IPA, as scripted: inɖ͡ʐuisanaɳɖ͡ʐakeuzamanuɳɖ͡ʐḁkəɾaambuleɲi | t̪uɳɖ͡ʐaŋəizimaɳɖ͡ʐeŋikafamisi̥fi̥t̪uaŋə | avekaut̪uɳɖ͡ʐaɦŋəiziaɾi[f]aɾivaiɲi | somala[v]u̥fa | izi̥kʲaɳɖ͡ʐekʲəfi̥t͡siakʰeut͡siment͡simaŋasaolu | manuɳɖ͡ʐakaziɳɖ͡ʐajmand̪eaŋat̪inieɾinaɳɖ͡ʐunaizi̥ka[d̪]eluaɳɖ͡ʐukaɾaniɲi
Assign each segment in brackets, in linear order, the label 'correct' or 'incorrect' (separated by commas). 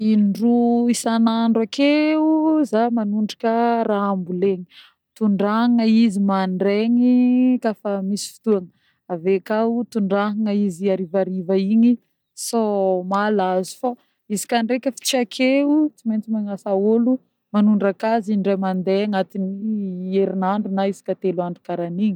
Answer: incorrect, incorrect, incorrect